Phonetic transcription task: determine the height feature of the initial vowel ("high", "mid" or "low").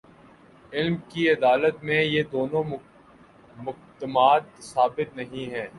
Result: high